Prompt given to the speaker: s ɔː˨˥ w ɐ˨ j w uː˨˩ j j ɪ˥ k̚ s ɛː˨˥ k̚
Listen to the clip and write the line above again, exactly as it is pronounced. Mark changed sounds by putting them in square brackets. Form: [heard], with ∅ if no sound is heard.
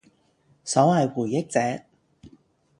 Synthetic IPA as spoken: s ɔː˨˥ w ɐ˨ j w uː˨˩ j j ɪ˥ k̚ [t͡s] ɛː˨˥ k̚